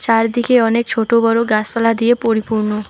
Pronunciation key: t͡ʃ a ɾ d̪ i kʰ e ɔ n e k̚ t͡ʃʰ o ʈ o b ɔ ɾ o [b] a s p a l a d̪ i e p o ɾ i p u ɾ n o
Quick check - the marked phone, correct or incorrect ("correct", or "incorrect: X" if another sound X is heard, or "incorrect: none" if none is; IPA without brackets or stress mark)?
incorrect: ɡ